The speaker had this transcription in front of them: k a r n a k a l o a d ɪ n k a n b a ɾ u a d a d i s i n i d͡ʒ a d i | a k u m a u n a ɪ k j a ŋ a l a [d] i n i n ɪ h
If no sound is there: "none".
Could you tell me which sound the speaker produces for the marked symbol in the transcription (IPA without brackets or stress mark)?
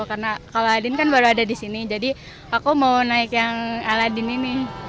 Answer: d